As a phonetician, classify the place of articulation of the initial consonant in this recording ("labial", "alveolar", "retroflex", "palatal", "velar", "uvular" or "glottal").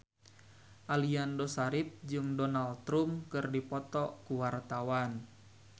glottal